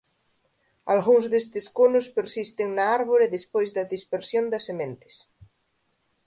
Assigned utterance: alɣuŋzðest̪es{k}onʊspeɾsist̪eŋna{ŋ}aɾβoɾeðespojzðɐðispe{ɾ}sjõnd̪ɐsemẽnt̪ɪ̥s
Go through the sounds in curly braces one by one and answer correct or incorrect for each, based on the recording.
correct, incorrect: none, correct

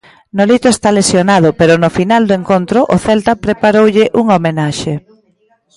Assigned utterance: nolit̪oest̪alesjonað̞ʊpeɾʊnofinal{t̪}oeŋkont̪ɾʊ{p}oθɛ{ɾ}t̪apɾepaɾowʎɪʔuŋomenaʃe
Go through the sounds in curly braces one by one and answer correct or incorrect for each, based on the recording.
incorrect: d̪, incorrect: ʔ, incorrect: l

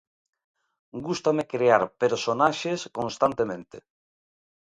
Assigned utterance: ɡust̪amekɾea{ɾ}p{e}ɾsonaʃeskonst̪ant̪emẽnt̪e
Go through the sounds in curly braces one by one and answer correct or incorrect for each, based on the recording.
correct, correct

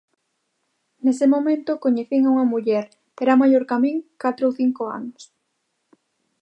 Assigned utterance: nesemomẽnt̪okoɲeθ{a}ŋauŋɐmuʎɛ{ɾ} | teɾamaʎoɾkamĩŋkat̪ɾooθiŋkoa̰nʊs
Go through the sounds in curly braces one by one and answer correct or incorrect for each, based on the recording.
incorrect: i, correct

